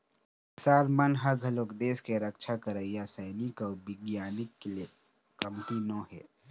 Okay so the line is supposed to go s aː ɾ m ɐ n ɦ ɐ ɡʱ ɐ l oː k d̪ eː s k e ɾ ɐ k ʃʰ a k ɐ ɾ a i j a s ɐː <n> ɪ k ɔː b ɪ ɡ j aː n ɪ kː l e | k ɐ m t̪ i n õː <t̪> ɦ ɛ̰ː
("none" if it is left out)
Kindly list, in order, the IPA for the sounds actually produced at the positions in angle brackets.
n, none

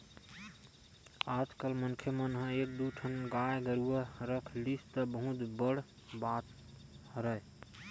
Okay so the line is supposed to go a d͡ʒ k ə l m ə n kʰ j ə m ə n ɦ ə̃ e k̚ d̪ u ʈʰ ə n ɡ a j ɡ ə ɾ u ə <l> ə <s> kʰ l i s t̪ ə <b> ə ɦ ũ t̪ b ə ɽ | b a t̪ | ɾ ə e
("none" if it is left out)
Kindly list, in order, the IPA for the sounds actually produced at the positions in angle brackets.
ɾ, none, b

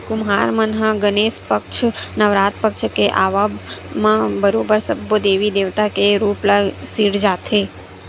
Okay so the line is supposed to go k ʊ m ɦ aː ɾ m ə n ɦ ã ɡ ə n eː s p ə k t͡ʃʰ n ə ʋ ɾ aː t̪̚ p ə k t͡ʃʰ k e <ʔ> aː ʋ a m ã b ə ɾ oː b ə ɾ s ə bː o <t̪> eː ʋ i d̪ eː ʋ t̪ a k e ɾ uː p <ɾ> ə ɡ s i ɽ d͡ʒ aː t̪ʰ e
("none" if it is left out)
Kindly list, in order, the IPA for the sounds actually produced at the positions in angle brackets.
ʔ, d̪, l

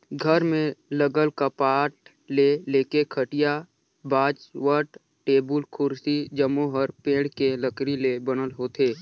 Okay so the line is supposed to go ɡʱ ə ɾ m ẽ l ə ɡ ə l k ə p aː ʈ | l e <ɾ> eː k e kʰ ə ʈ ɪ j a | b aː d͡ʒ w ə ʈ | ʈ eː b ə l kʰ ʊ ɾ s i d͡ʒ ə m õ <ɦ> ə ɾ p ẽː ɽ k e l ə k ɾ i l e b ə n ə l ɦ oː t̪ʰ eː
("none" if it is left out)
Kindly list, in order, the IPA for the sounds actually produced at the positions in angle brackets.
l, ɦ

